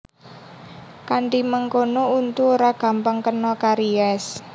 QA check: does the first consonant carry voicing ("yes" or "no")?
no